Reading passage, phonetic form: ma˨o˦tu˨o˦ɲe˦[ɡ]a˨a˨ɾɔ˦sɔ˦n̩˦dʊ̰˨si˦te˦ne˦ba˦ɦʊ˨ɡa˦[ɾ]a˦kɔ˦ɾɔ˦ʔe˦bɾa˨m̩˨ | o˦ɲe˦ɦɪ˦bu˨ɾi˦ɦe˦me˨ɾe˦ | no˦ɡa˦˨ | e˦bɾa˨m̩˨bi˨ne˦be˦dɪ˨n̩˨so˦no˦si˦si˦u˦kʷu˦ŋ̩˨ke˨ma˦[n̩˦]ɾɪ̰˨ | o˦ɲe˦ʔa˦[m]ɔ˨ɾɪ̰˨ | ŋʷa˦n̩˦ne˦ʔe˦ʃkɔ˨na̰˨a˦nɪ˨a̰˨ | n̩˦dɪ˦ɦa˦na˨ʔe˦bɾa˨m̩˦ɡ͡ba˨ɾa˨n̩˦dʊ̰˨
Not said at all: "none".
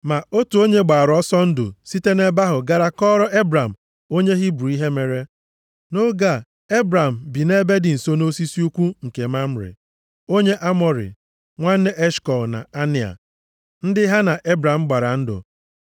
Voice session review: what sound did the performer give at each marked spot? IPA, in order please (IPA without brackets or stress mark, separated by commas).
ɡ͡b, ɾ, m̩˦, m